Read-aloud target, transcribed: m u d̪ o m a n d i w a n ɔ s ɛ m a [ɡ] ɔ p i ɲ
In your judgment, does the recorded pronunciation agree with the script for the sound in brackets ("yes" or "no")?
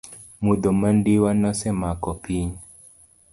no